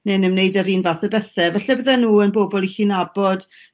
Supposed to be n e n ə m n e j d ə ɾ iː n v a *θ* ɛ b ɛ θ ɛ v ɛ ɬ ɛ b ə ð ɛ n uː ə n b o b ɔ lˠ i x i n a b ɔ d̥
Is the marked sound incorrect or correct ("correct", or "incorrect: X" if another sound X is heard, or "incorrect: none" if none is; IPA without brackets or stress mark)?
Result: correct